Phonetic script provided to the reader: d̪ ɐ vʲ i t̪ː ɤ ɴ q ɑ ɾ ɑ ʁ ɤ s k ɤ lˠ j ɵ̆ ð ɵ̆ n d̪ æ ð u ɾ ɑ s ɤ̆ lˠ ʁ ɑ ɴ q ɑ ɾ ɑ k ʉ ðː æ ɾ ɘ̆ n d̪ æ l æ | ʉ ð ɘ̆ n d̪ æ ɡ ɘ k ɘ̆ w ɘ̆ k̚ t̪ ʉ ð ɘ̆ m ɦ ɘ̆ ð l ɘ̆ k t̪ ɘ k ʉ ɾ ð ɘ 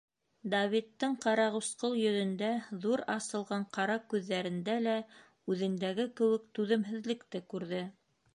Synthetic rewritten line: d̪ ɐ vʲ i t̪ː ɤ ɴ q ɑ ɾ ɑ ʁ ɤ s q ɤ lˠ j ɵ̆ ð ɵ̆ n d̪ æ ð u ɾ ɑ s ɤ̆ lˠ ʁ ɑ ɴ q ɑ ɾ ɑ k ʉ ðː æ ɾ ɘ̆ n d̪ æ l æ | ʉ ð ɘ̆ n d̪ æ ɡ ɘ k ɘ̆ w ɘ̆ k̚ t̪ ʉ ð ɘ̆ m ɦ ɘ̆ ð l ɘ̆ k t̪ ɘ k ʉ ɾ ð ɘ